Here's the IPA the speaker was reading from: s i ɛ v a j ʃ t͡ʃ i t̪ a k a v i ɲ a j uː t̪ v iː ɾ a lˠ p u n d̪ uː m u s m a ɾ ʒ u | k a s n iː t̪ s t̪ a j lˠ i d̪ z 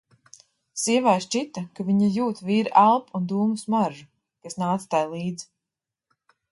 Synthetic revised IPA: s i ɛ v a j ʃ t͡ʃ i t̪ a k a v i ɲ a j uː t̪ v iː ɾ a lˠ p u n d̪ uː m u s m a ɾ ʒ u | k a s n aː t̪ s t̪ a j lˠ iː d̪ z

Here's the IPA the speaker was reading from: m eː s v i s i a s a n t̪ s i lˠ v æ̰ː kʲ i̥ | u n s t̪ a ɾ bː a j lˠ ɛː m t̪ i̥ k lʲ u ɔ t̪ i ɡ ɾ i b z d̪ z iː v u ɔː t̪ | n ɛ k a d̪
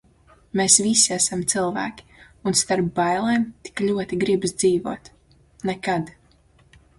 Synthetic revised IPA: m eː s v i s i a s a m t̪ s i lˠ v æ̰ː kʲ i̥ | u n s t̪ a ɾ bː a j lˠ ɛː m t̪ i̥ k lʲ u ɔ t̪ i ɡ ɾ i b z d̪ z iː v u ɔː t̪ | n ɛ k a d̪

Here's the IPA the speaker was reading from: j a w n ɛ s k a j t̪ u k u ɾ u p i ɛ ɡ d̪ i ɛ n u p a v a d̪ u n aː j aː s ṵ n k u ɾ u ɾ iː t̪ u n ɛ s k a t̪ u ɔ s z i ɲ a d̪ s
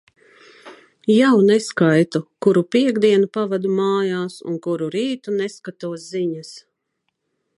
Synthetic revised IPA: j a w n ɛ s k a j t̪ u k u ɾ u p i ɛ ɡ d̪ i ɛ n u p a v a d̪ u m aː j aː s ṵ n k u ɾ u ɾ iː t̪ u n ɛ s k a t̪ u ɔ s z i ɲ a s

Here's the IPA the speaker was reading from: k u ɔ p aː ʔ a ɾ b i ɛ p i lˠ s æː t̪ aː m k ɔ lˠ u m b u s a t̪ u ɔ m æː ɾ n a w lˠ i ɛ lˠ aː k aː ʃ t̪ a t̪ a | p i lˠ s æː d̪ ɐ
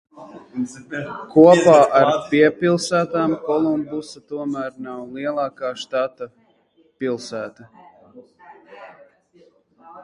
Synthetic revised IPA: k u ɔ p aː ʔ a ɾ p i ɛ p i lˠ s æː t̪ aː m k ɔ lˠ u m b u s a t̪ u ɔ m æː ɾ n a w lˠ i ɛ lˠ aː k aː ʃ t̪ a t̪ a | p i lˠ s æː t̪ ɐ

